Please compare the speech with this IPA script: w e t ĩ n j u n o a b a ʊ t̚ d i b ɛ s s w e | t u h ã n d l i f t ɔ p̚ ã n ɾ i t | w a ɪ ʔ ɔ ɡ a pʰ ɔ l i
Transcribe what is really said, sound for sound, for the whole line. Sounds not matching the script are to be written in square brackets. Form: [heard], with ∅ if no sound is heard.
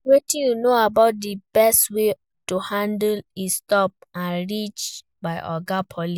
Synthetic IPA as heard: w e t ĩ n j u n o a b a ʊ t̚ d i b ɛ s [t] w e | t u h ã n d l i [s] t ɔ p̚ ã n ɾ i [t͡ʃ] | [b] a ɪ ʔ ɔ ɡ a pʰ ɔ l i